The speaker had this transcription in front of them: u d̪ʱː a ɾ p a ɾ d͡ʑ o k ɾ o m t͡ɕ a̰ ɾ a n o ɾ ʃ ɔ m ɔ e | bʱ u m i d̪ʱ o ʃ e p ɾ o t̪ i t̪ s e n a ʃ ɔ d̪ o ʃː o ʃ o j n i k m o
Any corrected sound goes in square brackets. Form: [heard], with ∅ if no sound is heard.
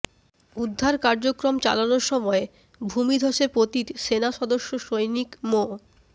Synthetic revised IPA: u d̪ʱː a ɾ [k] a ɾ d͡ʑ o k ɾ o m t͡ɕ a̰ [l] a n o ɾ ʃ ɔ m ɔ e | bʱ u m i d̪ʱ o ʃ e p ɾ o t̪ i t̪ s e n a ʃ ɔ d̪ o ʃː o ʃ o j n i k m o